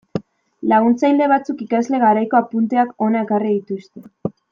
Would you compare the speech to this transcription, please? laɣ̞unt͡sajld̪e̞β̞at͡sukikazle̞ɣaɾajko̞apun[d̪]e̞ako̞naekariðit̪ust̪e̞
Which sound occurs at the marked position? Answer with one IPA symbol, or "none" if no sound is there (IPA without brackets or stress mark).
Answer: t̪